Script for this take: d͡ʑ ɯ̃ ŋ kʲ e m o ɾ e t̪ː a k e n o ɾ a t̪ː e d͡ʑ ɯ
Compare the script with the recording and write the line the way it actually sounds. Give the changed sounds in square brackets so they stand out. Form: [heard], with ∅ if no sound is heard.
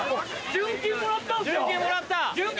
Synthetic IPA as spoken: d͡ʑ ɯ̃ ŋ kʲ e m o ɾ [a] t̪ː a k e [m] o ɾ a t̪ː [a] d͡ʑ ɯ